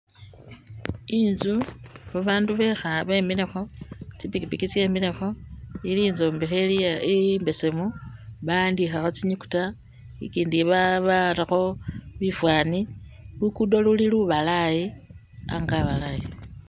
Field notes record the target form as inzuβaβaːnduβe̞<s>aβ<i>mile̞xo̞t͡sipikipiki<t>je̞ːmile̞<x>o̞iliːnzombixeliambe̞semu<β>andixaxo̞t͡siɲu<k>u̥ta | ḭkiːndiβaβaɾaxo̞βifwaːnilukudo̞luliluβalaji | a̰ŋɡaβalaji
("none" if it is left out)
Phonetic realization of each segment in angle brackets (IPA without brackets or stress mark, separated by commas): x, e, t͡s, x, β, k